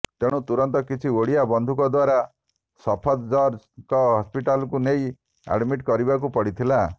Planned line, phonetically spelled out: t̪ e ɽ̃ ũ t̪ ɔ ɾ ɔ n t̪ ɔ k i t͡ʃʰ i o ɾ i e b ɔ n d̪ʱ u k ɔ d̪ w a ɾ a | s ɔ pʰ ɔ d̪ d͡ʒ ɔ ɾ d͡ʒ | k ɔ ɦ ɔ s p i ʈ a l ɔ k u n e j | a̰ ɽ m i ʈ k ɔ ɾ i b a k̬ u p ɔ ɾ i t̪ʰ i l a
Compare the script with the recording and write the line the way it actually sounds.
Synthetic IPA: t̪ e ɽ̃ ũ t̪ u ɾ ɔ n t̪ ɔ k i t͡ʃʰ i o ɽ i a b ɔ n d̪ʱ u k ɔ d̪ w a ɾ a | s ɔ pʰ ɔ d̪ d͡ʒ ɔ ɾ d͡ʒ | k ɔ ɦ ɔ s p i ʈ a l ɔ k u n e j | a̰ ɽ m i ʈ k ɔ ɾ i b a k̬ u p ɔ ɽ i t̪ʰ i l a